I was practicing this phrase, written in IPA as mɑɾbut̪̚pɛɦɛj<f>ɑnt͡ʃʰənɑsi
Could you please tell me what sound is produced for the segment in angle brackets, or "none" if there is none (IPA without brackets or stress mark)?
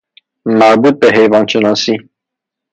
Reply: v